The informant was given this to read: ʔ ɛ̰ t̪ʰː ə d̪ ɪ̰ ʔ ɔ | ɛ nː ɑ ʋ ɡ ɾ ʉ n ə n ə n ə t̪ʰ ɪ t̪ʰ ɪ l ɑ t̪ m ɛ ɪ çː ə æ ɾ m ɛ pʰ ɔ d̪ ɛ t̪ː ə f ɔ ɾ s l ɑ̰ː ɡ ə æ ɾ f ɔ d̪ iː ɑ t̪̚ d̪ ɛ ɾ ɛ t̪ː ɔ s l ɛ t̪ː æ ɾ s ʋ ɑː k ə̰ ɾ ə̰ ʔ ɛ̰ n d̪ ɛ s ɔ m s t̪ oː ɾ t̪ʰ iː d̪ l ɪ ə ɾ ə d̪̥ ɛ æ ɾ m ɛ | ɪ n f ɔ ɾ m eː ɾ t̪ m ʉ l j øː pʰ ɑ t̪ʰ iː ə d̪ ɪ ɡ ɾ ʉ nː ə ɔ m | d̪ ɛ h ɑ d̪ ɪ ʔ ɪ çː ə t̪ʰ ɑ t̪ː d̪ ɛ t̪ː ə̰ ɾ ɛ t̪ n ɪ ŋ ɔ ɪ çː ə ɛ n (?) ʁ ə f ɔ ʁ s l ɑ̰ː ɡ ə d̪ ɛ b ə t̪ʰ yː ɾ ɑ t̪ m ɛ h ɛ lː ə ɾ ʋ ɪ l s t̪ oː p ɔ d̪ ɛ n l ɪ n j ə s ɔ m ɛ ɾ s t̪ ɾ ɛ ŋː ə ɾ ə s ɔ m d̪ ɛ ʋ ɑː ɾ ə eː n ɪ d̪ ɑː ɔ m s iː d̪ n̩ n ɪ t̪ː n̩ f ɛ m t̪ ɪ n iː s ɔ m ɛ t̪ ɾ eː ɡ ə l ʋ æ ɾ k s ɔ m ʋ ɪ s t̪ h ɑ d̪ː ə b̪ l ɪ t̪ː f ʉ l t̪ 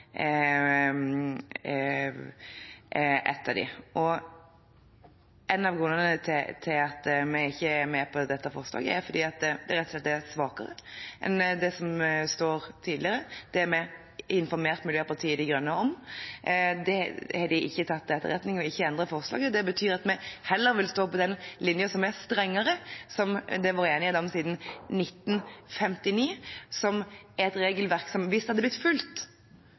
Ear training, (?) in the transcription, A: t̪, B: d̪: B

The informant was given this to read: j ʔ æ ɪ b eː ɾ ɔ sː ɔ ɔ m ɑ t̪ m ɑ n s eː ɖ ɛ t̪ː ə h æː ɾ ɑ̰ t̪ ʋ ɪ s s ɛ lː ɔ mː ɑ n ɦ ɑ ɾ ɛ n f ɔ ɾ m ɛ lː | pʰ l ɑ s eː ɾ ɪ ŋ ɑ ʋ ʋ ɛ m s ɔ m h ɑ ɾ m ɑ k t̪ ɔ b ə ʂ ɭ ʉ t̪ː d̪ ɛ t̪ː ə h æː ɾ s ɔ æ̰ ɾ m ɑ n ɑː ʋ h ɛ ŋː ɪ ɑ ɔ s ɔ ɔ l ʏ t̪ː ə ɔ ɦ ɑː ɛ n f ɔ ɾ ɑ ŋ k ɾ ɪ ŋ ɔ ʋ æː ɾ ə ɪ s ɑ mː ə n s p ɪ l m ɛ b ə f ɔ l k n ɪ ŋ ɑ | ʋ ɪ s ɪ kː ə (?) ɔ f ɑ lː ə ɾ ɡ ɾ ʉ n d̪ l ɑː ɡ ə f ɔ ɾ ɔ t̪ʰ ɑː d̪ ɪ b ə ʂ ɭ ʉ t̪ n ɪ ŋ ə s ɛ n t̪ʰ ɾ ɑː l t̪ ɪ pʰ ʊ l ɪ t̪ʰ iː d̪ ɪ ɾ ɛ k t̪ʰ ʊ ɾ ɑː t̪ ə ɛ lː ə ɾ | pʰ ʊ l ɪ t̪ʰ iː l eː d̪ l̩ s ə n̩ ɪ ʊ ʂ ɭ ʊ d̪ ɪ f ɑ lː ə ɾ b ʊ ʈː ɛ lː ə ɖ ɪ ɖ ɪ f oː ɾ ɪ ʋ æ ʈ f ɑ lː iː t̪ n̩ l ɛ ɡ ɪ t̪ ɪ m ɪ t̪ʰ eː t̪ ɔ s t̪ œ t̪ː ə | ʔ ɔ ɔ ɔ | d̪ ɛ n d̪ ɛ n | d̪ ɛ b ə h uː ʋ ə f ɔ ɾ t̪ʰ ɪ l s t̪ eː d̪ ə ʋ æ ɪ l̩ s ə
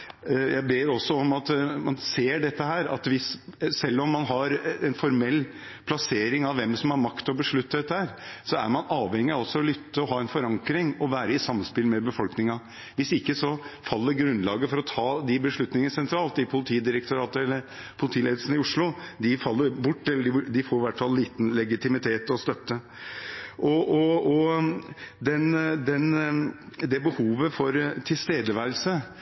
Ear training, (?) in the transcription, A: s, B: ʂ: A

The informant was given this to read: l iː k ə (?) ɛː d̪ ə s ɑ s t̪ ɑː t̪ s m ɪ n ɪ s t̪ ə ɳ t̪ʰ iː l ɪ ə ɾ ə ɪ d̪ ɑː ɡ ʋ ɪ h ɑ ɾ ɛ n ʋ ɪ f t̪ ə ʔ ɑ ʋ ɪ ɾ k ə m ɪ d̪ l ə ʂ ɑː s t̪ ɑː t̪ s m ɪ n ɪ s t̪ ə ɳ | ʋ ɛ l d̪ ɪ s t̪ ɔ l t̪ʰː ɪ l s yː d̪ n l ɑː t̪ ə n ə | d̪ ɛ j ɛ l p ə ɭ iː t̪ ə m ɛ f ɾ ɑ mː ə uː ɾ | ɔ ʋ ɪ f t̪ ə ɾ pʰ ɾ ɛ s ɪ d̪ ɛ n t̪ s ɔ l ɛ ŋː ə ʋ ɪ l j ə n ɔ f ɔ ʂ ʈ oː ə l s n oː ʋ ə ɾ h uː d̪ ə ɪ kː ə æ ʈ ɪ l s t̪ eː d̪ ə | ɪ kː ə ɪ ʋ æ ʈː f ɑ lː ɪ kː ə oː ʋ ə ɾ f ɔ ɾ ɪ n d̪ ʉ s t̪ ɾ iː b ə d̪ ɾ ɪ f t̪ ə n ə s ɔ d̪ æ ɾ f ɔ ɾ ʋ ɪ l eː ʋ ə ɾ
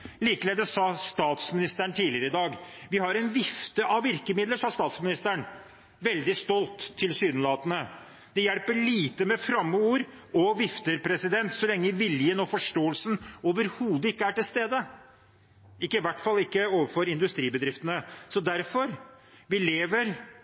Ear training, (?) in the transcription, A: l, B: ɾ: A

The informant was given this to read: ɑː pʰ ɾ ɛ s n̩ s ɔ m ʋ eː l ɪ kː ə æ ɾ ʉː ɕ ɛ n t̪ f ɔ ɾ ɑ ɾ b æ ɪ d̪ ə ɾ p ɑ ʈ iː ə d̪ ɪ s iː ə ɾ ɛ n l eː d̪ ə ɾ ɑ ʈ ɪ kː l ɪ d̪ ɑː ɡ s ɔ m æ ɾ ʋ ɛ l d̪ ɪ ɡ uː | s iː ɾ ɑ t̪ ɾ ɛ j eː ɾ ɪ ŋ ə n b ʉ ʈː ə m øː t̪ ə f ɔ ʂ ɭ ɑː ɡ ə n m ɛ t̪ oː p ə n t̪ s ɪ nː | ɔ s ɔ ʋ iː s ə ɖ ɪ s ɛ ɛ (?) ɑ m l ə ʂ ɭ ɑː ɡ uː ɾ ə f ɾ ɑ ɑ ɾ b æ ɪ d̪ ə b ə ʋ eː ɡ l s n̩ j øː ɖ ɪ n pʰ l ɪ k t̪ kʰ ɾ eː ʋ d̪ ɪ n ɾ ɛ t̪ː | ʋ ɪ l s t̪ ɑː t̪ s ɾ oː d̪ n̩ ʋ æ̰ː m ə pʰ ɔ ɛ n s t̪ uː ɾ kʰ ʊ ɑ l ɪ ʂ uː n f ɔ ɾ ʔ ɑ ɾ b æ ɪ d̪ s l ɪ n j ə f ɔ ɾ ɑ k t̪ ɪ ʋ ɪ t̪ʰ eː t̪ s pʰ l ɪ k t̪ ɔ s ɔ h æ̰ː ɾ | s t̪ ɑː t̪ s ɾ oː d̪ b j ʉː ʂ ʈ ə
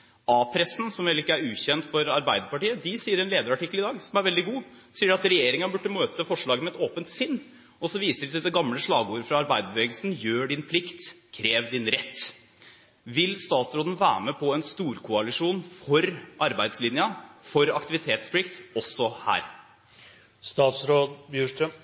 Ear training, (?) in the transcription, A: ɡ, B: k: A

